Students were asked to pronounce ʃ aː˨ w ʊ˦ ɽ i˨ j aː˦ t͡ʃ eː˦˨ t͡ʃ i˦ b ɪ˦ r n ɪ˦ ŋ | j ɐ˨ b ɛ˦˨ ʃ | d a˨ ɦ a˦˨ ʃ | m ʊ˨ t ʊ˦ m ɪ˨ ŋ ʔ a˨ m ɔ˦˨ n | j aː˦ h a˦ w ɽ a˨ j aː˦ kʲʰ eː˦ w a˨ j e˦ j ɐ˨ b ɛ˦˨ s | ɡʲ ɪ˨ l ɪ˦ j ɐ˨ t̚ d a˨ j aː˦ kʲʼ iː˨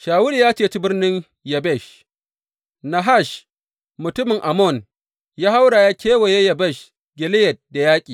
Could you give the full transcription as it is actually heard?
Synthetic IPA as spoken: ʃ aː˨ w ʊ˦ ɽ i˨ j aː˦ t͡ʃ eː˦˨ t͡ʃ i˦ b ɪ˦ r n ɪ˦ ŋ | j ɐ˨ b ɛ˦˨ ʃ | n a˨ ɦ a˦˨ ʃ | m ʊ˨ t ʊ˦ m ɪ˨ ŋ ʔ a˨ m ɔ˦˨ n | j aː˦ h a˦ w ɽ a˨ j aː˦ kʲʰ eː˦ w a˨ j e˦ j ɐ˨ b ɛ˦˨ ʃ | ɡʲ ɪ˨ l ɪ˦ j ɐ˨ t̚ d a˨ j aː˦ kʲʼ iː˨